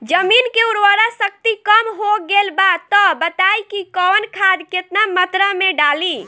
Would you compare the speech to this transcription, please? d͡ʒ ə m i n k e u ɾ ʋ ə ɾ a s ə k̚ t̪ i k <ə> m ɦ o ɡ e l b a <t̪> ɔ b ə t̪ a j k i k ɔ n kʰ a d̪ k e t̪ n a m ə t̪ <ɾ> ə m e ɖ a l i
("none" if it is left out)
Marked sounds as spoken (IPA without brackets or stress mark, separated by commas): ə, t̪, ɾ